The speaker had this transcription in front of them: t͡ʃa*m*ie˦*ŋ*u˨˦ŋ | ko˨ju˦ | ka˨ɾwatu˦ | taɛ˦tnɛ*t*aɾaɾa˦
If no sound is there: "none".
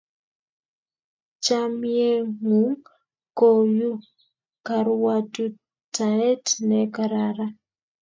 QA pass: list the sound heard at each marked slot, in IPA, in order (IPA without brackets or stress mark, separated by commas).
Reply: m, ŋ, k